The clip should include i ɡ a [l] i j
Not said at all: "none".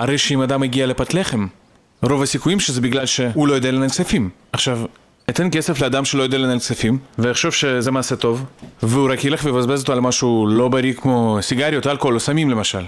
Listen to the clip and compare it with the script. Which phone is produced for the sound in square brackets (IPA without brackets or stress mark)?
ɾ